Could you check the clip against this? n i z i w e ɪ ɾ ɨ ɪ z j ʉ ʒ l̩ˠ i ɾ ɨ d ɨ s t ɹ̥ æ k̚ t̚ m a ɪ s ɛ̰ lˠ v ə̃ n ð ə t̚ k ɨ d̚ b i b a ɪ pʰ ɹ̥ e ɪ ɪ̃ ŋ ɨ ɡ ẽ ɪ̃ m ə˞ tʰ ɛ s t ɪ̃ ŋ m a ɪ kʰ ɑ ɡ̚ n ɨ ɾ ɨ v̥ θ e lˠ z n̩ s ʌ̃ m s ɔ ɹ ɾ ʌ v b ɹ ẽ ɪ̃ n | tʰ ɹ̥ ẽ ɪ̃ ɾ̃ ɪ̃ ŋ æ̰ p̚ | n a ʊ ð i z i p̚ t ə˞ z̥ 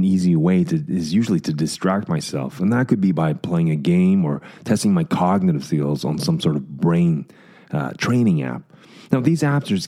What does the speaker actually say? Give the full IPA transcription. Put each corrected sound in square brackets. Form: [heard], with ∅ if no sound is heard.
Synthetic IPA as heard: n i z i w e ɪ ɾ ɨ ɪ z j ʉ ʒ l̩ˠ i ɾ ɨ d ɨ s t ɹ̥ æ k̚ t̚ m a ɪ s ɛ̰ lˠ [f] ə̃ n ð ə t̚ k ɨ d̚ b i b a ɪ pʰ [l̥] e ɪ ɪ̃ ŋ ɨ ɡ ẽ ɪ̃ m ə˞ tʰ ɛ s t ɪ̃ ŋ m a ɪ kʰ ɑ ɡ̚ n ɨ ɾ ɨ v̥ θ [i] lˠ z n̩ s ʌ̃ m s ɔ ɹ ɾ ʌ v b ɹ ẽ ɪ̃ n | tʰ ɹ̥ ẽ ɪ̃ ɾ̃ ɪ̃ ŋ æ̰ p̚ | n a ʊ ð i z [æ] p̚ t ə˞ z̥